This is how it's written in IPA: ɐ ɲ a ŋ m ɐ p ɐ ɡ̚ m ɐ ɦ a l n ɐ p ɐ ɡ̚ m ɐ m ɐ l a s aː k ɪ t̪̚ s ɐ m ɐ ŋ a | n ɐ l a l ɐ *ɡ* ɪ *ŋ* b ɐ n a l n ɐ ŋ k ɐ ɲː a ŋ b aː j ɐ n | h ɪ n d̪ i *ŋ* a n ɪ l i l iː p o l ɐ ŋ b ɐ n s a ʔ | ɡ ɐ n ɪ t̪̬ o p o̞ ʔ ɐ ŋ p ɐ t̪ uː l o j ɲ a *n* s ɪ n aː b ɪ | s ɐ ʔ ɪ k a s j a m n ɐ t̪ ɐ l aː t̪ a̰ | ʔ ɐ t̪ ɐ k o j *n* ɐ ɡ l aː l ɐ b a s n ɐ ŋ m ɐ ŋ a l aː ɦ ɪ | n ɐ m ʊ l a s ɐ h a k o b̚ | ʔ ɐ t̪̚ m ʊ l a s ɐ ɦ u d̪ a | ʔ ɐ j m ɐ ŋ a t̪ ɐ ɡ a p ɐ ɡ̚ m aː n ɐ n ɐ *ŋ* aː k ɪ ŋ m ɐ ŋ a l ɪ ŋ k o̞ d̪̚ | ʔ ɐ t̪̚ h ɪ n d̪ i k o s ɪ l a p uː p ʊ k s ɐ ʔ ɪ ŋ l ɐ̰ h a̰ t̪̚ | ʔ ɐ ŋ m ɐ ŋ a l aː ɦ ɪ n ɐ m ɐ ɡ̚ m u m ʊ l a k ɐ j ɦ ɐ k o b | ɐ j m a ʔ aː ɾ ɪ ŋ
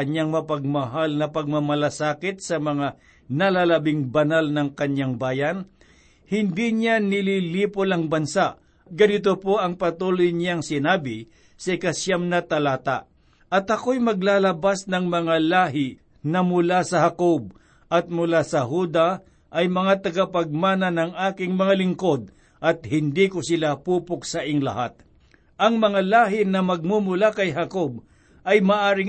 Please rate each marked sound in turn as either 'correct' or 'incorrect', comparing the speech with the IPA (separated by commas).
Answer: incorrect, correct, incorrect, incorrect, incorrect, correct